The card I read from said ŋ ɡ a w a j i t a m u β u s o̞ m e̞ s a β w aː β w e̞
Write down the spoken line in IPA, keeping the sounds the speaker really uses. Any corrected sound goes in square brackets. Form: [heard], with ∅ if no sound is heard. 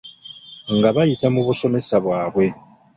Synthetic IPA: ŋ ɡ a [β] a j i t a m u β u s o̞ m e̞ s a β w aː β w e̞